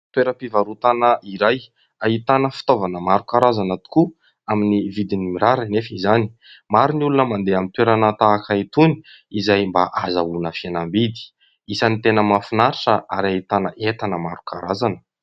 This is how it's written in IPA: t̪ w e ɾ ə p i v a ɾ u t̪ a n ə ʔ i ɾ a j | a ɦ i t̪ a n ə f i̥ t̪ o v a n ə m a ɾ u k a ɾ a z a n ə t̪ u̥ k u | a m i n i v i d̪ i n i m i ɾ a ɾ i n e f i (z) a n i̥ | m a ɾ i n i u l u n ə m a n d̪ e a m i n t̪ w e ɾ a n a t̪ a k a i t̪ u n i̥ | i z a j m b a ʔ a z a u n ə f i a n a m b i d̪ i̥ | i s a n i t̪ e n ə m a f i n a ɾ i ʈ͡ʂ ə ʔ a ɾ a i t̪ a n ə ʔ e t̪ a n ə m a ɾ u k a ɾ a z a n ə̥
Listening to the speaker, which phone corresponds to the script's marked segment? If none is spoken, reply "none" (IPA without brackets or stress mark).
z